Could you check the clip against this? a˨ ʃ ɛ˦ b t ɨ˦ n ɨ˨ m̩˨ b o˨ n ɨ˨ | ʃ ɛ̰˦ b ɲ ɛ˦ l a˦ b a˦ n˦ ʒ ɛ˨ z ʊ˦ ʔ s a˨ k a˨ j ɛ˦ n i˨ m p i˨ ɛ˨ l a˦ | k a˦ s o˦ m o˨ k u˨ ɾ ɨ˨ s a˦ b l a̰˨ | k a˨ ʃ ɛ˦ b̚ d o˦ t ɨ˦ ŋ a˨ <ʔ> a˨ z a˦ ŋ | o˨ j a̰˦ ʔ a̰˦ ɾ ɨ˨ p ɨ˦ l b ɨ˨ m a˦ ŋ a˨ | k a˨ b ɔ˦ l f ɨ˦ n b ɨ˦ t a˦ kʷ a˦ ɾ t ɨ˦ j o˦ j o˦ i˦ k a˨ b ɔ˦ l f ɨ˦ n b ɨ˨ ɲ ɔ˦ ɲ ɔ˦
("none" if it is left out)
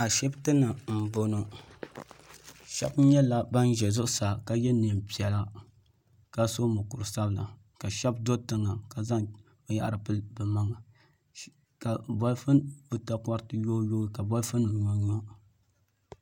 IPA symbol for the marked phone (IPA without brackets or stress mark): k